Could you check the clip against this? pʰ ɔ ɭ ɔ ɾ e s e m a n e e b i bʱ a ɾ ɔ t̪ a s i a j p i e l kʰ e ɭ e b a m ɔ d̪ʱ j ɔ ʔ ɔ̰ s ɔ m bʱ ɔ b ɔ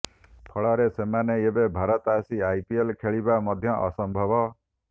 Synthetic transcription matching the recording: pʰ ɔ ɭ ɔ ɾ e s e m a n e e b e bʱ a ɾ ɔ t̪ a s i a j p i e l kʰ e ɭ i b a m ɔ d̪ʱ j ɔ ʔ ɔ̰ s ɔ m bʱ ɔ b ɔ